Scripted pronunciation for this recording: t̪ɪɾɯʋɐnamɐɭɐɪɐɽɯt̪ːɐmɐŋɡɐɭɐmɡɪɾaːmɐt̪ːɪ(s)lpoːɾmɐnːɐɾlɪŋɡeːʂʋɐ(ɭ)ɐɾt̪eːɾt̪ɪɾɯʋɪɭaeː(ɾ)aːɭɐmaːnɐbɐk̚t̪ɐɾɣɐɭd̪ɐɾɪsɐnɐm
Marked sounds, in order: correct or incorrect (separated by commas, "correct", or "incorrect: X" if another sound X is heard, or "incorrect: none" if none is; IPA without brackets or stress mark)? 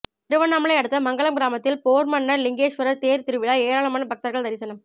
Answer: incorrect: none, incorrect: ɾ, correct